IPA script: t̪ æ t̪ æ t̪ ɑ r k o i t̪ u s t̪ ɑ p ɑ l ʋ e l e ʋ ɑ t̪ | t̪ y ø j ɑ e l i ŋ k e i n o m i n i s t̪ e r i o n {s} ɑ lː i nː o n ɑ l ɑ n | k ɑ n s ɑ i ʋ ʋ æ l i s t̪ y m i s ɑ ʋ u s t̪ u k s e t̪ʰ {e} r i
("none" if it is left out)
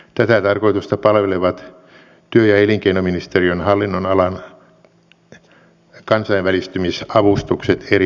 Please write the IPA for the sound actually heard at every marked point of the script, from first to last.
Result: h, e

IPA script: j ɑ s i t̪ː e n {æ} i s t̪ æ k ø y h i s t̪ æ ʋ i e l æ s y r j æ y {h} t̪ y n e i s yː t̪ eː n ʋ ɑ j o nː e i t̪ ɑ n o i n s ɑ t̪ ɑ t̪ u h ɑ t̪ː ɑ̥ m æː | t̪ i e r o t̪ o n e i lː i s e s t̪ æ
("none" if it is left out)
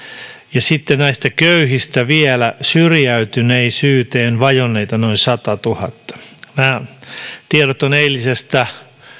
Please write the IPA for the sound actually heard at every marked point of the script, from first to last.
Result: æ, none

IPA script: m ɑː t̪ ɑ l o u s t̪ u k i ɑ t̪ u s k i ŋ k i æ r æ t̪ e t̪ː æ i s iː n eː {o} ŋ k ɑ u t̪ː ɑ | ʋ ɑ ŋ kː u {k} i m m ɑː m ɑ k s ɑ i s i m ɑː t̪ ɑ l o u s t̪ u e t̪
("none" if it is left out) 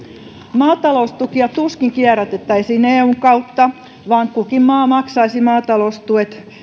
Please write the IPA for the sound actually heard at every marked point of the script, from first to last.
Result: u, k

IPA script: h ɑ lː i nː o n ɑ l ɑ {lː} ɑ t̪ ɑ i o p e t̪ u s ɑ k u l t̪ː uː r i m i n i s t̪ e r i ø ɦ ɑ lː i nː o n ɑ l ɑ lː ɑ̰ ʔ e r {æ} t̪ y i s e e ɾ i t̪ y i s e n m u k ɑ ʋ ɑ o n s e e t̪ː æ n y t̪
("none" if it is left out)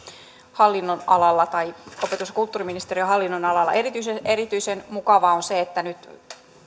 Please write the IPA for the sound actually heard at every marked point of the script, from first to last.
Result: lː, i

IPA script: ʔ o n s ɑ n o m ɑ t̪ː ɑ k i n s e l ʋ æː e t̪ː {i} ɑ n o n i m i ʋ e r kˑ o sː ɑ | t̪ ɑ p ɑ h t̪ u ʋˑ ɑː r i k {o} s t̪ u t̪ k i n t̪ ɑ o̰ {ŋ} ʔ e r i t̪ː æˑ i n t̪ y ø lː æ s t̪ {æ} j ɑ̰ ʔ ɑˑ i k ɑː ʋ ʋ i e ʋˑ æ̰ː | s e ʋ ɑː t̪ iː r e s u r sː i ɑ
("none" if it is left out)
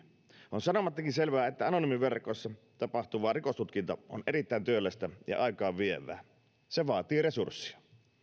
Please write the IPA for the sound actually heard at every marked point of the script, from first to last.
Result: æ, o, n, æ

